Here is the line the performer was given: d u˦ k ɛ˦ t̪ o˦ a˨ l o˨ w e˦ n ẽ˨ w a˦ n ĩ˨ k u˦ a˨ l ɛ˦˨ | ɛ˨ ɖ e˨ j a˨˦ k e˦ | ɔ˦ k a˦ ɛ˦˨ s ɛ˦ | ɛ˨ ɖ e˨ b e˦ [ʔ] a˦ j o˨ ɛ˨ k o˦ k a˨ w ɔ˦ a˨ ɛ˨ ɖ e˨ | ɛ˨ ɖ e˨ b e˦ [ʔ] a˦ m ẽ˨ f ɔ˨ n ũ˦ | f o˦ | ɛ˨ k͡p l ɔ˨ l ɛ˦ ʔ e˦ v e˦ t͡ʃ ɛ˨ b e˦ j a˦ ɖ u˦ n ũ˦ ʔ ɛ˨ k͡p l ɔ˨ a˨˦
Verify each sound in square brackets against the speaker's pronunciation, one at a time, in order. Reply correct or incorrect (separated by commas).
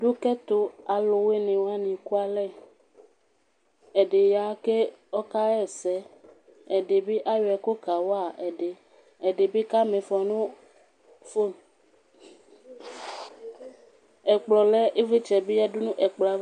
correct, incorrect